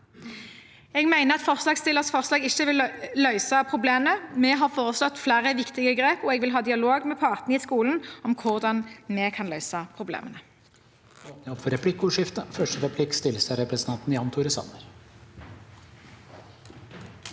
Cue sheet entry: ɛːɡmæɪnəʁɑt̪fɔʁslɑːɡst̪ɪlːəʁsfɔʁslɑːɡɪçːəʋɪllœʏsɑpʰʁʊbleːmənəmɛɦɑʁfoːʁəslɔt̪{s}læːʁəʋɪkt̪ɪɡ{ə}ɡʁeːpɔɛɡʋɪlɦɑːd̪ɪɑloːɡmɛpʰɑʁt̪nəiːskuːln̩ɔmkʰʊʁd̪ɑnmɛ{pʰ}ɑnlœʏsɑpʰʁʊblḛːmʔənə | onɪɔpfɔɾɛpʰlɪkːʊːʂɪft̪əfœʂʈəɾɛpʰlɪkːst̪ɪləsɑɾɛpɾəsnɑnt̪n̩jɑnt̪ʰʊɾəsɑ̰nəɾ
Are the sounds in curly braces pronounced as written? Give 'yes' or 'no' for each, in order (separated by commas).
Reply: no, yes, no